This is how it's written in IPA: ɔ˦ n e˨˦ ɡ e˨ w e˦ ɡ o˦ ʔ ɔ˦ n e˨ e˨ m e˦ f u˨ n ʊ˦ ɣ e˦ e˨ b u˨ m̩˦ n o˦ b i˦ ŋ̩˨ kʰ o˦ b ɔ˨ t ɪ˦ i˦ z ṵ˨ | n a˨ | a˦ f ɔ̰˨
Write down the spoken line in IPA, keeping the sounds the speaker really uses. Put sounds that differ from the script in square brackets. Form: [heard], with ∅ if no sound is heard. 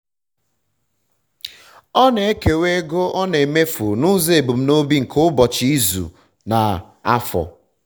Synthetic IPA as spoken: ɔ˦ n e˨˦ [k] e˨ w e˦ ɡ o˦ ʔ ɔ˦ n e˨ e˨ m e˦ f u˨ n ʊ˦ [z] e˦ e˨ b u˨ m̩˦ n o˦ b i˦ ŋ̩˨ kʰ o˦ b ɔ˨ [t͡ʃ] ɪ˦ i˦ z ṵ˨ | n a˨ | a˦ f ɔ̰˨